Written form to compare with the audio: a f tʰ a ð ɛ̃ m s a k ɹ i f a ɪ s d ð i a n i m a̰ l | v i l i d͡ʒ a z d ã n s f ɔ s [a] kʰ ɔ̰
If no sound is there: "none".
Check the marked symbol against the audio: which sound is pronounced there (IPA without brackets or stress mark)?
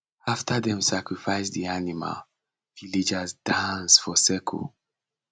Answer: ɛ